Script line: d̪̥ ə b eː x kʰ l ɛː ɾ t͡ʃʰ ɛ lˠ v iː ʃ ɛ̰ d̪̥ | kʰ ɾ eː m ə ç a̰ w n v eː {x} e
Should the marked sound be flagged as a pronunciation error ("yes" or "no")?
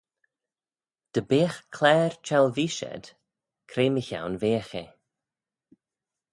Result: no